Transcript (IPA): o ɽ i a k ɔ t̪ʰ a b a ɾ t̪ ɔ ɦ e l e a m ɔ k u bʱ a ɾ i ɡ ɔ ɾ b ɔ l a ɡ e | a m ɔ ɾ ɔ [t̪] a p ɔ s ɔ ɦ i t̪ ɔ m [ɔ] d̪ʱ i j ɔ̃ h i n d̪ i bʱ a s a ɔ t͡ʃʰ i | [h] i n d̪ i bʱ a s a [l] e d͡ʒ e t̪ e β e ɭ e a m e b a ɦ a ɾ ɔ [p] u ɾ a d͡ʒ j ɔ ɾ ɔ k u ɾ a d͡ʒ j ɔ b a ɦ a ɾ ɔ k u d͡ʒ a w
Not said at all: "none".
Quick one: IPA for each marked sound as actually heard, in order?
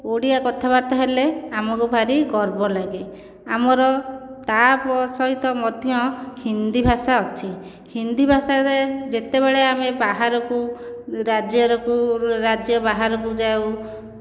t̪, ɔ, h, ɾ, k

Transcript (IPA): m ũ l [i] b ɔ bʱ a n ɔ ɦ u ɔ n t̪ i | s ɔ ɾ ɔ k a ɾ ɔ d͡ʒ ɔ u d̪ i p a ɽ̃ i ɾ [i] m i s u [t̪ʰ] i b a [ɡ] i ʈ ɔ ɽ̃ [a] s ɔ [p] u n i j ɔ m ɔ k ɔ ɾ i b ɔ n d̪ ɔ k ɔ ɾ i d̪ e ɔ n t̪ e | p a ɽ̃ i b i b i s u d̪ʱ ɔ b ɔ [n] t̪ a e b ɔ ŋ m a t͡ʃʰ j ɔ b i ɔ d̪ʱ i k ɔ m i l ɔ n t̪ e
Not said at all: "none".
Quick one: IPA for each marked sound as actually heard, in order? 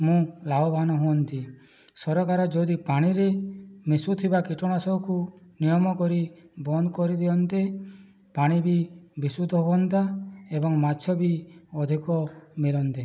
a, e, t̪ʰ, k, a, k, n

